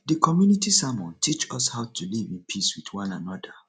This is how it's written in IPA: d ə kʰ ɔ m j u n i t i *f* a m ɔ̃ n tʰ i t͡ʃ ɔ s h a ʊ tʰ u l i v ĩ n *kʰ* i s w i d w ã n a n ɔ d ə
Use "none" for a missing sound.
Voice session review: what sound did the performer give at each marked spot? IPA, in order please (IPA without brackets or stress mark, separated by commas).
s, pʰ